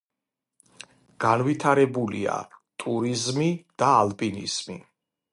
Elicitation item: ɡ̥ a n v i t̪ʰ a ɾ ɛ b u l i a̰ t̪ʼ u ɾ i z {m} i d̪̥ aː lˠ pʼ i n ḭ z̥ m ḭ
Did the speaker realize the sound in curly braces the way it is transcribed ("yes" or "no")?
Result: yes